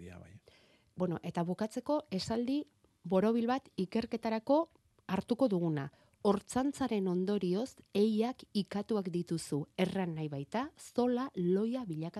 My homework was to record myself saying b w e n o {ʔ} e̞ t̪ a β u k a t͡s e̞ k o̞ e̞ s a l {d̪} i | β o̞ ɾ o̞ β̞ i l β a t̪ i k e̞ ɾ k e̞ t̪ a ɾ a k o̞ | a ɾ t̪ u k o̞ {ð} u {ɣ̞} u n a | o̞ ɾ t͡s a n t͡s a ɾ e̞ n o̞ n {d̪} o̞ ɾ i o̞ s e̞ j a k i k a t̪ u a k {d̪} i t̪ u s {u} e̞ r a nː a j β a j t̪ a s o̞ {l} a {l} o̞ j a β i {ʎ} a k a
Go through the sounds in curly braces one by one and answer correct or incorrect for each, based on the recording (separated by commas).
correct, correct, correct, correct, correct, correct, correct, correct, correct, correct